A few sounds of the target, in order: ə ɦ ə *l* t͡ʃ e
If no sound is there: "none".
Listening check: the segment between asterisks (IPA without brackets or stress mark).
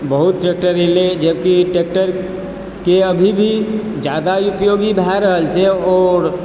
l